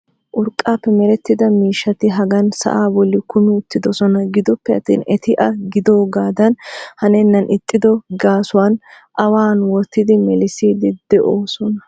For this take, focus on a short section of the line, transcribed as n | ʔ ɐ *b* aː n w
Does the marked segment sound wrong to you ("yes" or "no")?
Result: yes